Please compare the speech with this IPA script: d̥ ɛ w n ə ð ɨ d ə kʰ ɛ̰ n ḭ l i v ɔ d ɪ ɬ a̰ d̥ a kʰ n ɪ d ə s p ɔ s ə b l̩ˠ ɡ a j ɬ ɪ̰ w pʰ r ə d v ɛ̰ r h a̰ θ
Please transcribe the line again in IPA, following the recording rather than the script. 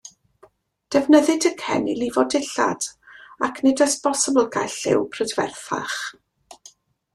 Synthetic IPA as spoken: d̥ ɛ v n ə ð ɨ d ə kʰ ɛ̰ n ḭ l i v ɔ d ɪ ɬ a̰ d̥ a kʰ n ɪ d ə s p ɔ s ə b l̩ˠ ɡ a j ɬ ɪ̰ w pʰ r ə d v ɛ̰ r θ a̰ χ

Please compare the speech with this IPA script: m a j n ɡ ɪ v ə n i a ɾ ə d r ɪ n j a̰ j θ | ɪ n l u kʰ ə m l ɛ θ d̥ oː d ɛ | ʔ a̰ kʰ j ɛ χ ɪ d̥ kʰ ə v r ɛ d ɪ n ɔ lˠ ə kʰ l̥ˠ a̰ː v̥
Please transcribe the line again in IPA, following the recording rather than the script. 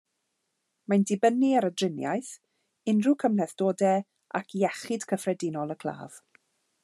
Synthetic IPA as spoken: m a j n d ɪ b ə n i a ɾ ə d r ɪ n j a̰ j θ | ɪ n r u kʰ ə m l ɛ θ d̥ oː d ɛ | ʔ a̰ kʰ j ɛ χ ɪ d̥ kʰ ə f r ɛ d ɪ n ɔ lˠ ə kʰ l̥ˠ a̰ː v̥

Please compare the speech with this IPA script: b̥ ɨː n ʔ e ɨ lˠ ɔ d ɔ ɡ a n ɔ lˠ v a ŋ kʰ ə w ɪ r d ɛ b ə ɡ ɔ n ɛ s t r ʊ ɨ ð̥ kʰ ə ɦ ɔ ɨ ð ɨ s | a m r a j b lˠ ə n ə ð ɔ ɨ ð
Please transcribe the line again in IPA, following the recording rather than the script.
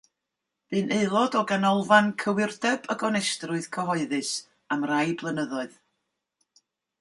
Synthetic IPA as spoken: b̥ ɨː n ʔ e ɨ lˠ ɔ d ɔ ɡ a n ɔ lˠ v a n kʰ ə w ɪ r d ɛ b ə ɡ ɔ n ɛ s t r ʊ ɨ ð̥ kʰ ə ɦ ɔ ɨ ð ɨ s | a m r a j b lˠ ə n ə ð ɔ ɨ ð

